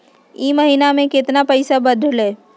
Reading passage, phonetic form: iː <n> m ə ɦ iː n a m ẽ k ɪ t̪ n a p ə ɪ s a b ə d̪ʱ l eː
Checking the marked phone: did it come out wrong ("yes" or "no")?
yes